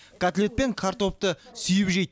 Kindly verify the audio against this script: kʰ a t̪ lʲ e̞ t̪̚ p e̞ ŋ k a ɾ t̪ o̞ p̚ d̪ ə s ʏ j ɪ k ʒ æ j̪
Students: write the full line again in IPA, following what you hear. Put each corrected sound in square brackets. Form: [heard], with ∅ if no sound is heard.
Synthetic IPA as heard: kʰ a t̪ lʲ e̞ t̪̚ p e̞ ŋ [kʰ] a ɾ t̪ o̞ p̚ [t̪] ə s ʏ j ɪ [p] ʒ [e] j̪